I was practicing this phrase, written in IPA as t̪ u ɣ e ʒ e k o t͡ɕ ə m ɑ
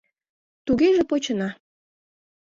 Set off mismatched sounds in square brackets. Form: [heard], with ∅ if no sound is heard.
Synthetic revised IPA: t̪ u ɣ e ʒ e [p] o t͡ɕ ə [n] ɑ